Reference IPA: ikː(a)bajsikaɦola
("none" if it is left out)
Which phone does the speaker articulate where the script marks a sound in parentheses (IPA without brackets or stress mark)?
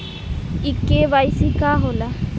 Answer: e